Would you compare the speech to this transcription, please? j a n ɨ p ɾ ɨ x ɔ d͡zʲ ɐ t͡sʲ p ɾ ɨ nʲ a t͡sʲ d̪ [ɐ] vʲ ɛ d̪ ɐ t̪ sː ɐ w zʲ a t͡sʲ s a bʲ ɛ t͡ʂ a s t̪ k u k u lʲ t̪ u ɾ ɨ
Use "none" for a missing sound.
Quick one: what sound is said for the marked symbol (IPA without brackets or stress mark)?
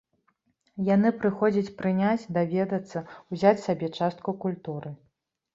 a